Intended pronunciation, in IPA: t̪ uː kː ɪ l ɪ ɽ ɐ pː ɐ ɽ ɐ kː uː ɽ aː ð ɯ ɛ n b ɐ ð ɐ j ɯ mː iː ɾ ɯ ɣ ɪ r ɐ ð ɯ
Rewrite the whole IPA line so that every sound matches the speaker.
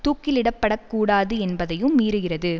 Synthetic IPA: t̪ uː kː ɪ l ɪ ɽ ɐ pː ɐ ɽ ɐ kː uː ɽ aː ð ɯ ɛ n b ɐ ð ɐ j ɯ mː iː ɾ ɯ ɣ ɪ r ɐ ð ɯ